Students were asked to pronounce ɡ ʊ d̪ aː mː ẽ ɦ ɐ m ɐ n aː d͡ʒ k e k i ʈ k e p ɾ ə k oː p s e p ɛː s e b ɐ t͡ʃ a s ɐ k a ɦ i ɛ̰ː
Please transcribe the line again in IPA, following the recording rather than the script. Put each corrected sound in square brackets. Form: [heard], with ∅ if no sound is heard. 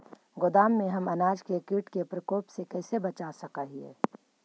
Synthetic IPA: ɡ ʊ d̪ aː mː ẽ ɦ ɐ m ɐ n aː d͡ʒ k e k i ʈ k e p ɾ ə k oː p s e [k] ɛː s e b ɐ t͡ʃ a s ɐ k a ɦ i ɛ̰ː